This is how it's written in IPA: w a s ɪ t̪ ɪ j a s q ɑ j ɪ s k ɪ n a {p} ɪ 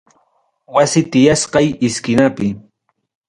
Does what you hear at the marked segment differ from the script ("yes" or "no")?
no